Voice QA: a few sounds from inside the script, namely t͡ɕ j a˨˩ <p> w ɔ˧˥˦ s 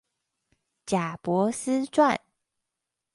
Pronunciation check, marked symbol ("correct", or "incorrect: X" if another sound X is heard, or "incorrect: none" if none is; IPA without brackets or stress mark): correct